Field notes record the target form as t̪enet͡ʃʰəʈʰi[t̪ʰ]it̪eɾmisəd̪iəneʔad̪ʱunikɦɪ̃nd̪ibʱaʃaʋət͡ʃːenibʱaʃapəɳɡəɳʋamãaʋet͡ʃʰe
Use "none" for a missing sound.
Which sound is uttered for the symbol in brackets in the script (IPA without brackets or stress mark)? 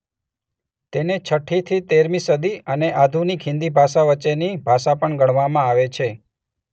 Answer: t̪ʰ